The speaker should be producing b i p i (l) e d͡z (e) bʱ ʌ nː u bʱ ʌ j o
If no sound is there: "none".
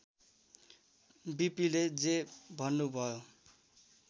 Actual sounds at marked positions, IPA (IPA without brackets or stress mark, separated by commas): l, e